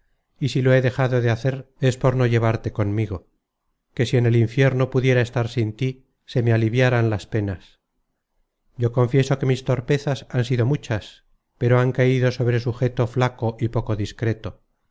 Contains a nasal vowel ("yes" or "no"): no